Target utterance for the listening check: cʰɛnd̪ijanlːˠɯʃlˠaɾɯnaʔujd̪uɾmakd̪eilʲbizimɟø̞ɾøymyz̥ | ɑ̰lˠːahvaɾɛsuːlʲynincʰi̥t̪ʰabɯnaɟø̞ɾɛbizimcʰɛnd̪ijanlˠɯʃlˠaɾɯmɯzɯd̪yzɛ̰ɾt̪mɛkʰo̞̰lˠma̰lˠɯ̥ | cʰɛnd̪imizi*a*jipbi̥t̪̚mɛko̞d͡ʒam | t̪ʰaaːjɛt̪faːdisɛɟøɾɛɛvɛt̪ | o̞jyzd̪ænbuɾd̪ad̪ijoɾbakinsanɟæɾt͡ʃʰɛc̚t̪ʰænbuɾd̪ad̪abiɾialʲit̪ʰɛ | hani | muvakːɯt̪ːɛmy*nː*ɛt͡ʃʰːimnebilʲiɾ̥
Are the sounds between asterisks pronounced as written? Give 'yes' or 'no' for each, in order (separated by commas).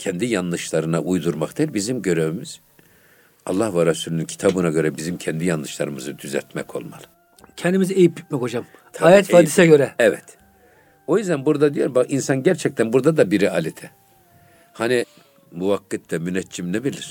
no, no